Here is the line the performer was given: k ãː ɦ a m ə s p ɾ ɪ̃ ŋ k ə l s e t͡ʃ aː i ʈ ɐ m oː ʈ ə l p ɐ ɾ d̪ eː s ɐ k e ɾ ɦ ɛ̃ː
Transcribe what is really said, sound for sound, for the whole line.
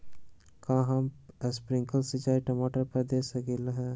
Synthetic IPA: k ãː ɦ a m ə s p ɾ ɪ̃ ŋ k ə l s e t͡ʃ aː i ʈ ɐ m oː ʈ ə ɾ p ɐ ɾ d̪ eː s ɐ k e l ɦ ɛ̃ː